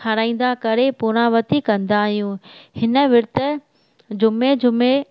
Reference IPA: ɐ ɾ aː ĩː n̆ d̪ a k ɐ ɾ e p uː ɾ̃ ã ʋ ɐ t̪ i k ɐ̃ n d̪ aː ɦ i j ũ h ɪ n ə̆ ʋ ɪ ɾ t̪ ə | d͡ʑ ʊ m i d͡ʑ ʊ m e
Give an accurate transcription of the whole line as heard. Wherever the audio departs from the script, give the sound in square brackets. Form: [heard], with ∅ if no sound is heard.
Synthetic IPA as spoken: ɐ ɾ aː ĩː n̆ d̪ a k ɐ ɾ e p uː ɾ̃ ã ʋ ɐ t̪ i k ɐ̃ n d̪ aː ɦ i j ũ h ɪ n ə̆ ʋ ɪ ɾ t̪ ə | d͡ʑ ʊ m [e] d͡ʑ ʊ m e